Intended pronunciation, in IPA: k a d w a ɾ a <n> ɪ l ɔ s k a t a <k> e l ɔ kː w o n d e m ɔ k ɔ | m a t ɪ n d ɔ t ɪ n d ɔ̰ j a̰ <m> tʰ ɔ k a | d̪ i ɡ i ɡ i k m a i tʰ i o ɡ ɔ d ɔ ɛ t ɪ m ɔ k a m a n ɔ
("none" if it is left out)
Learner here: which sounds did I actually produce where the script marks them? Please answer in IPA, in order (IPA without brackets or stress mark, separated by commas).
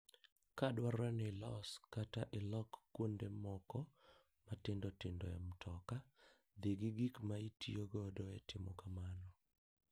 n, ʔ, m